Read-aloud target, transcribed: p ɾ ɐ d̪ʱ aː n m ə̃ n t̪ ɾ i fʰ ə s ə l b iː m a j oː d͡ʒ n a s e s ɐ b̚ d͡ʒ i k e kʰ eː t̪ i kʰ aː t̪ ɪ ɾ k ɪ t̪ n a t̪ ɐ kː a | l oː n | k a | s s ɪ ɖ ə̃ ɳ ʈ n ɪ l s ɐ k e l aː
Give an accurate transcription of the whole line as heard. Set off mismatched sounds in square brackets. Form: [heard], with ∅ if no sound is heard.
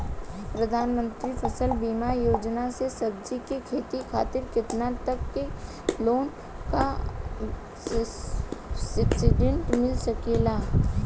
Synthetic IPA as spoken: p ɾ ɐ d̪ʱ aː n m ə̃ n t̪ ɾ i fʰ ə s ə l b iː m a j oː d͡ʒ n a s e s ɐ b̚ d͡ʒ i k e kʰ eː t̪ i kʰ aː t̪ ɪ ɾ k ɪ t̪ n a t̪ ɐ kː [e] | l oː n | k a | s s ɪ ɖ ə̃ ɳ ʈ [m] ɪ l s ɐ k e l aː